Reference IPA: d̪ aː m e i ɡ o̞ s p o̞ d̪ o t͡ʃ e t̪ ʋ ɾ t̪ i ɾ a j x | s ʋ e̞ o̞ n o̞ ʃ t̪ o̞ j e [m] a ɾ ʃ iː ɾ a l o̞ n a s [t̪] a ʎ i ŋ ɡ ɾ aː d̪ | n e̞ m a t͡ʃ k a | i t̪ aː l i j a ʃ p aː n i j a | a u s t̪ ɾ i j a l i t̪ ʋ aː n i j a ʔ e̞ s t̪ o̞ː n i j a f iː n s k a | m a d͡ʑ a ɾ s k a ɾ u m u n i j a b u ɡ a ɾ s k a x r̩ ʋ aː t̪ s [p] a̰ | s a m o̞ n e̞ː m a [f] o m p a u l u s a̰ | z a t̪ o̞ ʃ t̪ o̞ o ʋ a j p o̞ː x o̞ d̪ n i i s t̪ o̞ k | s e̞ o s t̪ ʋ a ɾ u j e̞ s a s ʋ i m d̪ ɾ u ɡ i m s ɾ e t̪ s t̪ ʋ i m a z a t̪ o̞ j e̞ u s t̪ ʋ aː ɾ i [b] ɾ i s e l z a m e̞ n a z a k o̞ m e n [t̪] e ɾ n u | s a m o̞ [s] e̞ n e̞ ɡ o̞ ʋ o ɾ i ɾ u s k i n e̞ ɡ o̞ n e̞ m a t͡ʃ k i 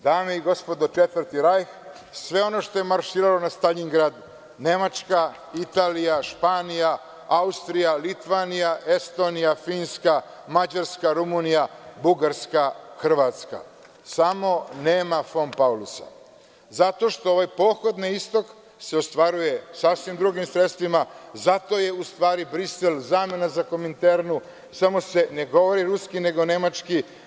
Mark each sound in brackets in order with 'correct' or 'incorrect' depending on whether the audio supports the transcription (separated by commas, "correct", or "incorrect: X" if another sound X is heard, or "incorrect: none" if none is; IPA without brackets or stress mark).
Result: correct, correct, incorrect: k, correct, correct, correct, correct